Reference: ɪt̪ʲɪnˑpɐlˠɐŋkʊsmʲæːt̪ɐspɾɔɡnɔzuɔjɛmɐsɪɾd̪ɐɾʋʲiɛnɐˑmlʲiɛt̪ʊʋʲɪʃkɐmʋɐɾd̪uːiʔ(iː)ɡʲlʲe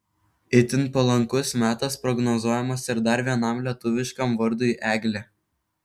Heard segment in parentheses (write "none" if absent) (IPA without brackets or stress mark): æː